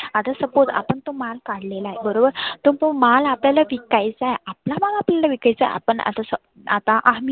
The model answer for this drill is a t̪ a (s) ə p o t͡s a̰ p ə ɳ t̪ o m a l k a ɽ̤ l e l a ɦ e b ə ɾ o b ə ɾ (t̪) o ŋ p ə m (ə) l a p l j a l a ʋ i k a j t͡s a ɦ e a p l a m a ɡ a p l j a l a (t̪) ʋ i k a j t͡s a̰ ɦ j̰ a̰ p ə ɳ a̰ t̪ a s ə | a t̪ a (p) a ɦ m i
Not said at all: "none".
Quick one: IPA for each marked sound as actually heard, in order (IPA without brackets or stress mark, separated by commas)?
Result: s, t̪, a, none, ʔ